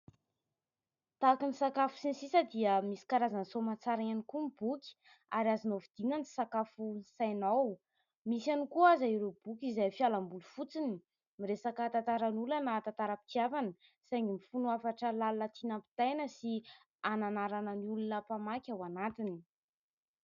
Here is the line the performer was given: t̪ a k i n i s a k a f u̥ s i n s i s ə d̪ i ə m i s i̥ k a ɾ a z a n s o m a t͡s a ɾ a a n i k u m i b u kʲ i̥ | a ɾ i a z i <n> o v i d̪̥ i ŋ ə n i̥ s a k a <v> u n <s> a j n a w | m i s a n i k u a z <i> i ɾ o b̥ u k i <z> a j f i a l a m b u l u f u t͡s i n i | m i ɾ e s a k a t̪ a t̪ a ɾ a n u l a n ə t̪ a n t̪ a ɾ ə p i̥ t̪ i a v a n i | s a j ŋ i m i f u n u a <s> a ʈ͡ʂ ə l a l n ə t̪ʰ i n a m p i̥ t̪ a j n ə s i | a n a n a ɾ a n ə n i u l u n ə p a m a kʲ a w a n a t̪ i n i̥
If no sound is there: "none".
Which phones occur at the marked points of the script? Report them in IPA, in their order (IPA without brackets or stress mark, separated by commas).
n, f, s, a, z, f